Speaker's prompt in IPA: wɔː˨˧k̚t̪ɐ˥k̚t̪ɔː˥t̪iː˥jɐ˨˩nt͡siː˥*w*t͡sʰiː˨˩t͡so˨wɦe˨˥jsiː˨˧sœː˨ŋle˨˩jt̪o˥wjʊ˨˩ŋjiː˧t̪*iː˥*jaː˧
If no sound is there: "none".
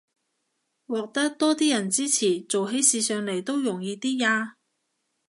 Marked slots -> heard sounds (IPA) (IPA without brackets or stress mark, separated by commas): none, iː˥